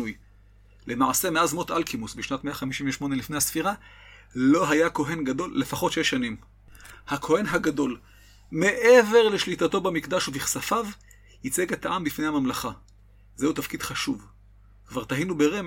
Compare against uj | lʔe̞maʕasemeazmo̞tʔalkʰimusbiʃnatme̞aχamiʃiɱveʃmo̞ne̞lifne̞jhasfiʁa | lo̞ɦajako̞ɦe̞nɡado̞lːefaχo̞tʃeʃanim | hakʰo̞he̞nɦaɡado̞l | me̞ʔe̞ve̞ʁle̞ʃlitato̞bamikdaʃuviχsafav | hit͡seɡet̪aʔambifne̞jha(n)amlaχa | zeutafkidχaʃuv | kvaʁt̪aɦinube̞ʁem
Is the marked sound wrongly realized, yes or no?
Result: yes